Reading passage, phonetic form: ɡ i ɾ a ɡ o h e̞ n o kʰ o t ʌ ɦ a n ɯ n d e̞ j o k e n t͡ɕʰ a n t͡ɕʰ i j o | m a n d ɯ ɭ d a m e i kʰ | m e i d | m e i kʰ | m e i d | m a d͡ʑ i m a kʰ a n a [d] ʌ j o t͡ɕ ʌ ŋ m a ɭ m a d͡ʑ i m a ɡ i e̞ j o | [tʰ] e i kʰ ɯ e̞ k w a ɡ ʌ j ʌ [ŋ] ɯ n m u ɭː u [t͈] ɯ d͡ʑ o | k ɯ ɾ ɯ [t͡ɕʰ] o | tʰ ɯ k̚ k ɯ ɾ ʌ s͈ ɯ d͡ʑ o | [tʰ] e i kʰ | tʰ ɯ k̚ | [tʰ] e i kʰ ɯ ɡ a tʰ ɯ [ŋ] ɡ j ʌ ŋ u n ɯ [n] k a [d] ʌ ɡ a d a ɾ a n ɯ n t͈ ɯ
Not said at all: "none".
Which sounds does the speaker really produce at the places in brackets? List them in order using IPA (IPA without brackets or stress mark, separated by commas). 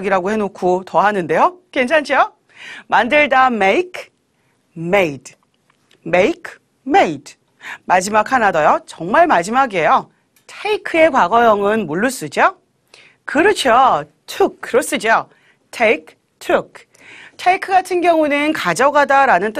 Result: d, tʰ, ŋ, s͈, t͡ɕʰ, tʰ, tʰ, n, n, d͡ʑ